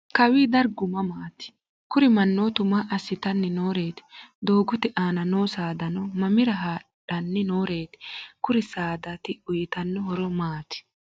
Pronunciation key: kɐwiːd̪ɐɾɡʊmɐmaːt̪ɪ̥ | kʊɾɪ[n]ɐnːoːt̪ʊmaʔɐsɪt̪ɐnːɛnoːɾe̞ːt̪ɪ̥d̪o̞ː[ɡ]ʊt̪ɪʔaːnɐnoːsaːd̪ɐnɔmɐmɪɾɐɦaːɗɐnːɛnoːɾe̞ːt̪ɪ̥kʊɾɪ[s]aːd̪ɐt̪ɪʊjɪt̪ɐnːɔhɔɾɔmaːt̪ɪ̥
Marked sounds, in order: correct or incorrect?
incorrect: m, correct, correct

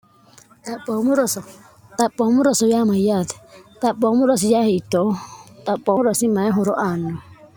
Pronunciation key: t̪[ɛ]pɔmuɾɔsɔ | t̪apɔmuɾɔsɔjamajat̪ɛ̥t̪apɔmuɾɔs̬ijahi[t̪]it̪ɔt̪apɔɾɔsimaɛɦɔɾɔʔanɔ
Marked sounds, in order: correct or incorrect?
incorrect: a, incorrect: none

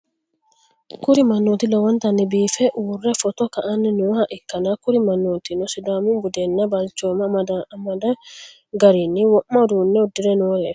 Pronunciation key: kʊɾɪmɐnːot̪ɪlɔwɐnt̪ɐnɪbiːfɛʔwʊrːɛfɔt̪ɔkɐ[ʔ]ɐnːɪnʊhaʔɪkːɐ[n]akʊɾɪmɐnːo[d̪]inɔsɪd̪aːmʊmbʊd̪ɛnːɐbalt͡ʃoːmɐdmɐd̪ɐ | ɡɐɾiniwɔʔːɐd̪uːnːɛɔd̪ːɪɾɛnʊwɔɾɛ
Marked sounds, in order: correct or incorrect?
correct, correct, incorrect: t̪

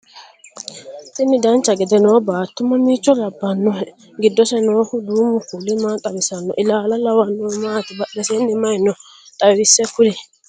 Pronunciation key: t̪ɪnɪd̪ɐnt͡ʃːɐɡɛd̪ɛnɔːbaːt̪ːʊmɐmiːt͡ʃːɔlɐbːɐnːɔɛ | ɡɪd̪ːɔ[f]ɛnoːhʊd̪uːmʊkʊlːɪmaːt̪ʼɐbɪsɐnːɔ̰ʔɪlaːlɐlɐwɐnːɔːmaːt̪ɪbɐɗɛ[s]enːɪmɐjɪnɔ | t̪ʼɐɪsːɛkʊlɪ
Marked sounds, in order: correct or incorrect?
incorrect: s, correct

